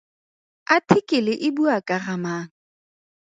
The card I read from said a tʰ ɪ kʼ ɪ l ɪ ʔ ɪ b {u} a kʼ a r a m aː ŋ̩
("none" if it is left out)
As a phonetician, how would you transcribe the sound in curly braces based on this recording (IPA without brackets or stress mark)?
u